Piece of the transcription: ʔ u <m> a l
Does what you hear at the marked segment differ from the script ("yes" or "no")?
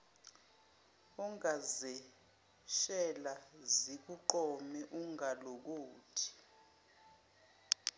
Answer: yes